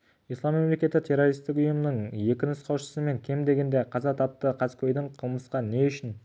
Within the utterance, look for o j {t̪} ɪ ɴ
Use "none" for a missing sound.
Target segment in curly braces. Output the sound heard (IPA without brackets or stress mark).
d̪